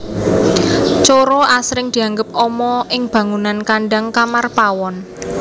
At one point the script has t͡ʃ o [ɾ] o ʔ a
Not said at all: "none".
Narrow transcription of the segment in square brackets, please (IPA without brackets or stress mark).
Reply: ɾ